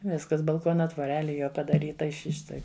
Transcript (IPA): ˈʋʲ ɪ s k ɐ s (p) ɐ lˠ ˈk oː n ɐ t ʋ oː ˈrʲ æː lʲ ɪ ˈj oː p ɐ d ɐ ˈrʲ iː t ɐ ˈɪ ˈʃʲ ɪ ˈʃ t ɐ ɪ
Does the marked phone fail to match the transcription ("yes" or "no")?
yes